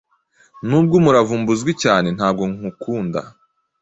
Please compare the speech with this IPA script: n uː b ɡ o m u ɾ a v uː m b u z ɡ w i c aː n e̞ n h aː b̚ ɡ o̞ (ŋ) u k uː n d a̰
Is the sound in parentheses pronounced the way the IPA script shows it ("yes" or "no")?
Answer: yes